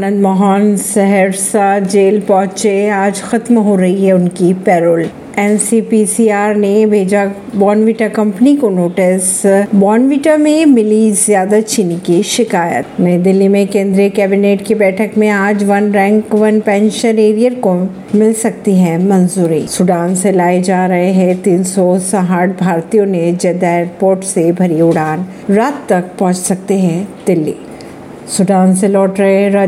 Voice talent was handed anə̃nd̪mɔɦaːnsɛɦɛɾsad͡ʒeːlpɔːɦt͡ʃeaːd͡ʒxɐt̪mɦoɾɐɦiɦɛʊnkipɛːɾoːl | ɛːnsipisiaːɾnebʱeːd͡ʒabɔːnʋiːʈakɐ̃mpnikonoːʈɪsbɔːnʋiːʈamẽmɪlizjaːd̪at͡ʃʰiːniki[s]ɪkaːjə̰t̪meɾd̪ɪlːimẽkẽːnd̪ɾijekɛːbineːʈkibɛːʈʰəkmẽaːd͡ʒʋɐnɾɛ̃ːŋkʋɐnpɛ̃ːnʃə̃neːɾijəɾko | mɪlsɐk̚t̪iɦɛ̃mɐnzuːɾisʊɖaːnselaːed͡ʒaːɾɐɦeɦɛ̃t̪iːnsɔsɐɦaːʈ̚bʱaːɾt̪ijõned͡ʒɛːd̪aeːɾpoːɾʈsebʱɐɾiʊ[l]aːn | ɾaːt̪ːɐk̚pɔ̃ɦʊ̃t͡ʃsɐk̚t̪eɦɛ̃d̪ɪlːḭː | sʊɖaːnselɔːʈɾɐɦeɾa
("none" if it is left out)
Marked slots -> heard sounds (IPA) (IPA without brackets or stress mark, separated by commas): ʃ, ɽ